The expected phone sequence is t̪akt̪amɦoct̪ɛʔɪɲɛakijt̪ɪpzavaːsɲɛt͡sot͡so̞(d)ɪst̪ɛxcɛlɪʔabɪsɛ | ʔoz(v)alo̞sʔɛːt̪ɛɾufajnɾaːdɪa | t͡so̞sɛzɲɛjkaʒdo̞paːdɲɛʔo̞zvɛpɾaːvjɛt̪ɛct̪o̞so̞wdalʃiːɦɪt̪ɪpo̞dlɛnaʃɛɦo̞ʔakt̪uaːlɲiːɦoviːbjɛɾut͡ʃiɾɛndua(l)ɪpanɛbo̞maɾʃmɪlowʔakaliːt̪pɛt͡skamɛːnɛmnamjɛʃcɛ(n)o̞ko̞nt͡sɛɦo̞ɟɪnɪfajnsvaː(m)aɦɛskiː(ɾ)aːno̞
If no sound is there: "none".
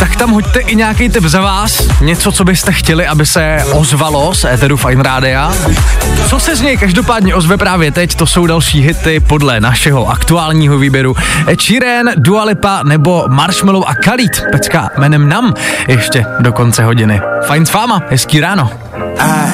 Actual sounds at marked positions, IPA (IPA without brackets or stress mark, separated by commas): b, v, l, d, m, ɾ